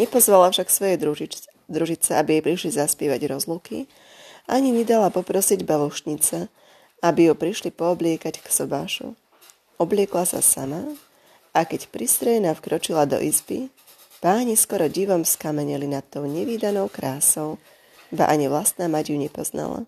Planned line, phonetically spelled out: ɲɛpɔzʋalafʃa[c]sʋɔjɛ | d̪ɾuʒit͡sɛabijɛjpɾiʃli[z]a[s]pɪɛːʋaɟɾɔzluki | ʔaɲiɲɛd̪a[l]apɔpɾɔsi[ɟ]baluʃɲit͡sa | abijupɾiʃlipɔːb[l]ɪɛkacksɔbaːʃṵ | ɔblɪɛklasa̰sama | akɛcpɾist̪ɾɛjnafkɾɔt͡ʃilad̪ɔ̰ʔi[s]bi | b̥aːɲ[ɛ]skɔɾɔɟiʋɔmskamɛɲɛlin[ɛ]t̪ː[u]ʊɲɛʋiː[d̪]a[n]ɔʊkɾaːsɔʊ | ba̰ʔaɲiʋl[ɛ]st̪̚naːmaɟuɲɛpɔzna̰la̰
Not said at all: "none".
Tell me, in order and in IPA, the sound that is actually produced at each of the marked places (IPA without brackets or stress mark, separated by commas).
k, z, s, l, ɟ, l, z, i, a, ɔ, d̪, n, a